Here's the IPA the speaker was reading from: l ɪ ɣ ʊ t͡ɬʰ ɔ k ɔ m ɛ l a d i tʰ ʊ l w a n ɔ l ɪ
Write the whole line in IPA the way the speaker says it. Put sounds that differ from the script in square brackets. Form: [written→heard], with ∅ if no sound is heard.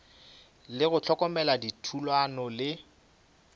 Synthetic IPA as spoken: l ɪ ɣ ʊ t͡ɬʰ ɔ k ɔ m ɛ l a d i tʰ [ʊ→u] l w a n ɔ l ɪ